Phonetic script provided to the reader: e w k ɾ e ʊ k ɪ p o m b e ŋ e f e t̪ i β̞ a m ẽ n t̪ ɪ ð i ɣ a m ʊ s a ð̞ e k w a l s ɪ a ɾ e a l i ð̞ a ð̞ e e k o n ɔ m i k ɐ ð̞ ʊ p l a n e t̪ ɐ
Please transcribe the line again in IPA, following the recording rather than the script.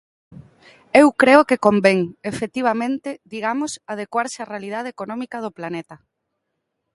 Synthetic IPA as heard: e w k ɾ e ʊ k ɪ k o m b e ŋ e f e t̪ i β̞ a m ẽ n t̪ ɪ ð i ɣ a m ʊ s a ð̞ e k w a ɾ s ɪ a r e a l i ð̞ a ð̞ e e k o n ɔ m i k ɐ ð̞ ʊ p l a n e t̪ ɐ